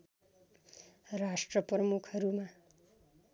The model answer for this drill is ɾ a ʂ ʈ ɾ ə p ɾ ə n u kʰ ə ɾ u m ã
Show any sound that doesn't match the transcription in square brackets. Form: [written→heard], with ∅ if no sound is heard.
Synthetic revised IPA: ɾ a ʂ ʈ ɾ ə p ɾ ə [n→m] u kʰ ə ɾ u m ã